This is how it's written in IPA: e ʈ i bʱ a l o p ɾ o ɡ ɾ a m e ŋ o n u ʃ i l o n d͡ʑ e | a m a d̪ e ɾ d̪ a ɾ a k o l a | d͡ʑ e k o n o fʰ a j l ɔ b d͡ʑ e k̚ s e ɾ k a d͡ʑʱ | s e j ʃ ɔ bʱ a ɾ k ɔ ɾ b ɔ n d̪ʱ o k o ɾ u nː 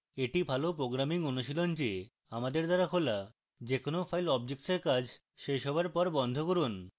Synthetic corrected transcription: e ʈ i bʱ a l o p ɾ o ɡ ɾ a m i ŋ o n u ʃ i l o n d͡ʑ e | a m a d̪ e ɾ d̪ a ɾ a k o l a | d͡ʑ e k o n o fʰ a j l ɔ b d͡ʑ e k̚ s e ɾ k a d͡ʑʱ | ʃ e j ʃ ɔ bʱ a ɾ p ɔ ɾ b ɔ n d̪ʱ o k o ɾ u n